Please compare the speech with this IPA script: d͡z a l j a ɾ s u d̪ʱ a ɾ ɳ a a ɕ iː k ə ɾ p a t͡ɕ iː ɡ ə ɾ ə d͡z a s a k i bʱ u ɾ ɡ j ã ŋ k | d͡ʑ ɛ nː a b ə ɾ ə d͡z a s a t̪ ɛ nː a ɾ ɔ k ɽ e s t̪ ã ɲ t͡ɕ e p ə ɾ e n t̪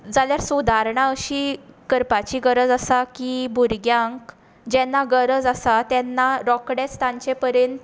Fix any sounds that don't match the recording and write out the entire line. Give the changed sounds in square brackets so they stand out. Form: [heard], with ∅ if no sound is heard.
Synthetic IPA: d͡z a l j a ɾ s u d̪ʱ a ɾ ɳ a [ə] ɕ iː k ə ɾ p a t͡ɕ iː ɡ ə ɾ ə d͡z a s a k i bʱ u ɾ ɡ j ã ŋ k | d͡ʑ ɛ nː a [ɡ] ə ɾ ə d͡z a s a t̪ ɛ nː a ɾ ɔ k ɽ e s t̪ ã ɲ t͡ɕ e p ə ɾ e n t̪